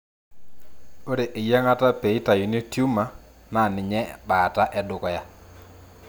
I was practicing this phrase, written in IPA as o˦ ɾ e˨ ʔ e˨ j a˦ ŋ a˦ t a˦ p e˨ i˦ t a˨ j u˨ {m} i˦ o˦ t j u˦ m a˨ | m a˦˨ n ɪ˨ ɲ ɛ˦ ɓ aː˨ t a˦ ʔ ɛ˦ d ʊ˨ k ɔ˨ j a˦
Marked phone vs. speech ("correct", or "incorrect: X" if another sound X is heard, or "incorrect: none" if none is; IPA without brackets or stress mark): incorrect: n